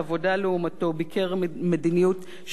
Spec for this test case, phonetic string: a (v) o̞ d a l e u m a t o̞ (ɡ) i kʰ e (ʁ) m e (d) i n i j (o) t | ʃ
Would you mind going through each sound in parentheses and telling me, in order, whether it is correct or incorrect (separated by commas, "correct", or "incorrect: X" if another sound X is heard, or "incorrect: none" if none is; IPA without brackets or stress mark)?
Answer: correct, incorrect: b, correct, correct, incorrect: u